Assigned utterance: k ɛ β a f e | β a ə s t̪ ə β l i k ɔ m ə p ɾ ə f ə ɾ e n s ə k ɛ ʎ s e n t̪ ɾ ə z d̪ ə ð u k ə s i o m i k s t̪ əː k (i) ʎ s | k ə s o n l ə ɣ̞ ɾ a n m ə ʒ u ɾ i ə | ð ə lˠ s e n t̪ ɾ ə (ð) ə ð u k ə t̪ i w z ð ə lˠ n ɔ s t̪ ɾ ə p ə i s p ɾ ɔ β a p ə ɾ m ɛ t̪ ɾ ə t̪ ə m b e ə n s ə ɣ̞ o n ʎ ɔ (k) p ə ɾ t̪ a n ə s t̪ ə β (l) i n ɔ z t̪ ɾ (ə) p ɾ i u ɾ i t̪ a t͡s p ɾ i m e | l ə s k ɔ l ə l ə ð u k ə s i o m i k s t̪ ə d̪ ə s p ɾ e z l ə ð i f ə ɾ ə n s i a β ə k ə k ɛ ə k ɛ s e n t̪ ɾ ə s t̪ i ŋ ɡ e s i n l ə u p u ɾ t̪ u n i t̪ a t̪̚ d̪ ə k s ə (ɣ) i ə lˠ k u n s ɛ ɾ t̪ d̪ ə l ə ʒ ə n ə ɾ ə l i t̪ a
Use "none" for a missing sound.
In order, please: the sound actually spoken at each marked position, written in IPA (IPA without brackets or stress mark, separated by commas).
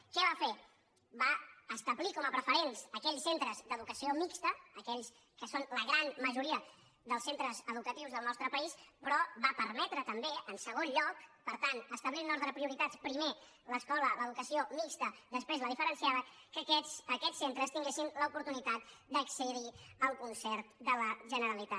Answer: ɛ, z, k, l, ə, ð